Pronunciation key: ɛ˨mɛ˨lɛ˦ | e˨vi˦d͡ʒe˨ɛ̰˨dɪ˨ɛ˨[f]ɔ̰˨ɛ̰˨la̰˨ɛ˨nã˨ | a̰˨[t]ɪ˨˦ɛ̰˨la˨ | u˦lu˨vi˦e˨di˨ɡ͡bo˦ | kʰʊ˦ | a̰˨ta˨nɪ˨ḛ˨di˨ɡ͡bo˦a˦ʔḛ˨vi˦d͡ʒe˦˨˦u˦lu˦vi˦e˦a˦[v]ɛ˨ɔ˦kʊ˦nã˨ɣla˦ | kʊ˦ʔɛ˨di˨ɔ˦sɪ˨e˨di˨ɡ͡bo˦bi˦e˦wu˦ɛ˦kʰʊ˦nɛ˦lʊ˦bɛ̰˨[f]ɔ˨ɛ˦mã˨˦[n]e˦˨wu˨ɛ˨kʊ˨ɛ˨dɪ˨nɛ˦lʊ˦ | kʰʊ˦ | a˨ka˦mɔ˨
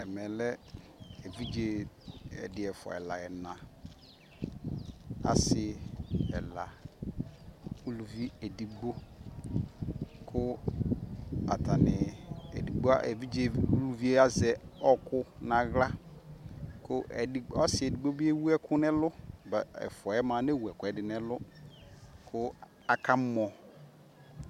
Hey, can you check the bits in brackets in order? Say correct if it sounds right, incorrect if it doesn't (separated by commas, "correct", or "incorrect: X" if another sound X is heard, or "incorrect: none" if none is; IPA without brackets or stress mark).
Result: correct, incorrect: s, incorrect: z, correct, correct